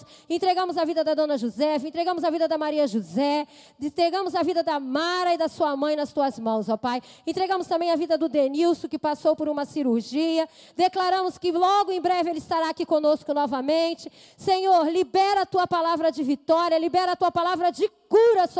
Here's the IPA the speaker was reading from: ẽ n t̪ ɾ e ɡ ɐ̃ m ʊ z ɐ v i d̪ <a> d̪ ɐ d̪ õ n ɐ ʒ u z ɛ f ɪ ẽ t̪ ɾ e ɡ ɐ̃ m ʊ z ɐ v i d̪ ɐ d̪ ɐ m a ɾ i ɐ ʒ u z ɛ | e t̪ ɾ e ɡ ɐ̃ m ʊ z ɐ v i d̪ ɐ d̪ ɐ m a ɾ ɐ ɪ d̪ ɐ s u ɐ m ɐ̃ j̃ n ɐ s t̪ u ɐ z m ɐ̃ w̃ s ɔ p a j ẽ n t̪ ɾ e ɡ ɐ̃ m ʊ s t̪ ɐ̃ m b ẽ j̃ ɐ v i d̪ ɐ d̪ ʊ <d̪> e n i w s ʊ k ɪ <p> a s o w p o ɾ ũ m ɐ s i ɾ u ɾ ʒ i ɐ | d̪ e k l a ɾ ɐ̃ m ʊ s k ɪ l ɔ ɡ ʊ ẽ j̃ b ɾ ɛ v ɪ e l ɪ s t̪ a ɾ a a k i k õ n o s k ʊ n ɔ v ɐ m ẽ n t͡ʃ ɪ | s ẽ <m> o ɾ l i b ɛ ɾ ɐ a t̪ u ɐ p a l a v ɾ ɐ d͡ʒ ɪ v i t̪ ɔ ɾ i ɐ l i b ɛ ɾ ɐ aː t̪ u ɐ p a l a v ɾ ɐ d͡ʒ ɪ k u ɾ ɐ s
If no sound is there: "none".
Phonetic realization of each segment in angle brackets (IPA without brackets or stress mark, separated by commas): ɐ, d̪, p, ɲ